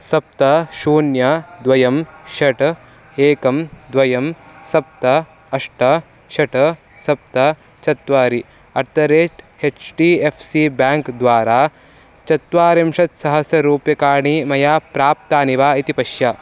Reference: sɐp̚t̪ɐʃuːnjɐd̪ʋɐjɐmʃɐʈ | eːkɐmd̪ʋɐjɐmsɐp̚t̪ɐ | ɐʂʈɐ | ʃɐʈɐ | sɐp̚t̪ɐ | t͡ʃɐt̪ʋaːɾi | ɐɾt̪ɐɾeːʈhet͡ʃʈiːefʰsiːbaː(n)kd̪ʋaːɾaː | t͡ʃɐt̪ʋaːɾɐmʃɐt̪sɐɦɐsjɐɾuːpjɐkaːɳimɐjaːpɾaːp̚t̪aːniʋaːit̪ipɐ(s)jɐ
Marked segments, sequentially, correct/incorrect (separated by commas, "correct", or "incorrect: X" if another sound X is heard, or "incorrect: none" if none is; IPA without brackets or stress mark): incorrect: ŋ, incorrect: ʃ